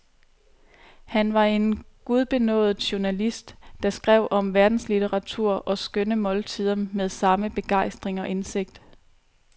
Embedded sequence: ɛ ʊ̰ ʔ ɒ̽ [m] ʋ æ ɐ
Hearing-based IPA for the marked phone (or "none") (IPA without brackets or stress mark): m